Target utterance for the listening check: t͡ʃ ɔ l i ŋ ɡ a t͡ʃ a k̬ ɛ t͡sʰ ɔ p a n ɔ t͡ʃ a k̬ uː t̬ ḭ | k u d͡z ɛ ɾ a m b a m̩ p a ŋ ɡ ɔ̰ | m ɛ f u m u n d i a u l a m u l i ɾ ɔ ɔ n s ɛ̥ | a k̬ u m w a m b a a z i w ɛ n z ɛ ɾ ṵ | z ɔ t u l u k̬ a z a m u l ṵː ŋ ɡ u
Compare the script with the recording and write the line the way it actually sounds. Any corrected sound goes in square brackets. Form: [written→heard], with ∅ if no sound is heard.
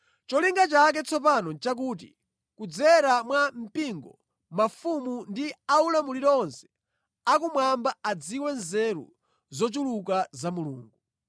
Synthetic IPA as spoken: t͡ʃ ɔ l i ŋ ɡ a t͡ʃ a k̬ ɛ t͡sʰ ɔ p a n ɔ t͡ʃ a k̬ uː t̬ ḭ | k u d͡z ɛ ɾ a m [b→w] a m̩ p [a→i] ŋ ɡ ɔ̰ | m [ɛ→a] f u m u n d i a u l a m u l i ɾ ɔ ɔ n s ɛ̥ | a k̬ u m w a m b a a [z→d͡z] i w ɛ n z ɛ ɾ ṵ | z ɔ [t→t͡ʃ] u l u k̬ a z a m u l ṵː ŋ ɡ u